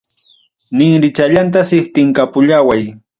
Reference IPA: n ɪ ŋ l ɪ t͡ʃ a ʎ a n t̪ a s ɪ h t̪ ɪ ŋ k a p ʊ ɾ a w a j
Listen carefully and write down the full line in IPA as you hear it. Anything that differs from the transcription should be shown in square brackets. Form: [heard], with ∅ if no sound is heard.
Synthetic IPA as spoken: n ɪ ŋ [ɾ] ɪ t͡ʃ a ʎ a n t̪ a s ɪ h t̪ ɪ ŋ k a p ʊ [ʎ] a w a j